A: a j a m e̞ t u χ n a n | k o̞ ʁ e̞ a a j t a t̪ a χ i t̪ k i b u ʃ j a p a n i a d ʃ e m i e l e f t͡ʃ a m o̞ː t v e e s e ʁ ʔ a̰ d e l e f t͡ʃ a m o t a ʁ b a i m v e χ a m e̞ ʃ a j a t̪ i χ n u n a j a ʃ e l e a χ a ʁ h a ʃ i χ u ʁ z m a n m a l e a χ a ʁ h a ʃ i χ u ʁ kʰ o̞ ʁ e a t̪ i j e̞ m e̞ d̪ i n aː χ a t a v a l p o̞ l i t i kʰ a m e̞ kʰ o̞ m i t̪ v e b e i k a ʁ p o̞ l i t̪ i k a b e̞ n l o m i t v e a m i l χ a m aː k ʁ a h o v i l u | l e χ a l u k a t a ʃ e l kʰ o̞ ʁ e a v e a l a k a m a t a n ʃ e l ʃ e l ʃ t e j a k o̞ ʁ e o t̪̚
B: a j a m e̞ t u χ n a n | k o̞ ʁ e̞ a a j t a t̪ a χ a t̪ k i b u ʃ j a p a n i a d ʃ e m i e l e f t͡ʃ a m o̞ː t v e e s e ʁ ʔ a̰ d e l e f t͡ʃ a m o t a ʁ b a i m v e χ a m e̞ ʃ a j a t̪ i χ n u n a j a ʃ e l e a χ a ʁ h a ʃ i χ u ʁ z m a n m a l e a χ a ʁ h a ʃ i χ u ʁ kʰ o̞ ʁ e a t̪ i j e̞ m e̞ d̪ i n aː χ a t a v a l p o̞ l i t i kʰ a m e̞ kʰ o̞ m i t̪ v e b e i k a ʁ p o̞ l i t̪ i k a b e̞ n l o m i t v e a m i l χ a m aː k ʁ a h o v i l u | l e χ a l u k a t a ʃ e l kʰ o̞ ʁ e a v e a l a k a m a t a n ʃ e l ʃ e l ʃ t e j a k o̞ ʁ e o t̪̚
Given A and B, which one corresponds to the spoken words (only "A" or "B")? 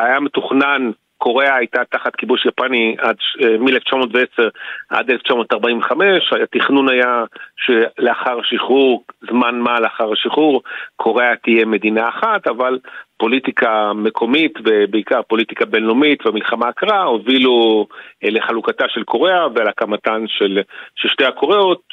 B